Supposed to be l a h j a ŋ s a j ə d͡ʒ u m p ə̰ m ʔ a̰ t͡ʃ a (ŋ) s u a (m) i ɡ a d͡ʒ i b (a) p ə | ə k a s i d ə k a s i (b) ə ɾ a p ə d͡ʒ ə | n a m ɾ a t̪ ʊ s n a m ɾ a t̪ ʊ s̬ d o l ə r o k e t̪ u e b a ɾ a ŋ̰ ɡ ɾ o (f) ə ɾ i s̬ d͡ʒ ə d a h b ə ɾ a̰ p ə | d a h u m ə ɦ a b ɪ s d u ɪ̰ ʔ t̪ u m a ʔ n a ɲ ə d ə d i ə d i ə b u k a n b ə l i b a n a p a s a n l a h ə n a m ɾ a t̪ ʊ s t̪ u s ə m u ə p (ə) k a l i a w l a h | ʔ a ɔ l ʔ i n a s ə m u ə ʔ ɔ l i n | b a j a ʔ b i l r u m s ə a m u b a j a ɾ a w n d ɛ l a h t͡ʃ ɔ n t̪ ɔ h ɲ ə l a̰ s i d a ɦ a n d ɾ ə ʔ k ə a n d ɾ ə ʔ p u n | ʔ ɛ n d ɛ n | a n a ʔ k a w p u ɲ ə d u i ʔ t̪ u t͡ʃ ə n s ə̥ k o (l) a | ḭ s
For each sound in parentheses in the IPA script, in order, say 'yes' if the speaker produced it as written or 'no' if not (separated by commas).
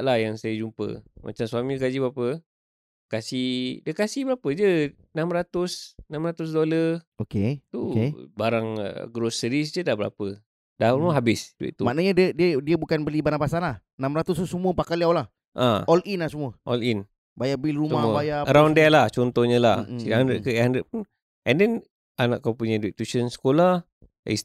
no, yes, yes, yes, no, no, yes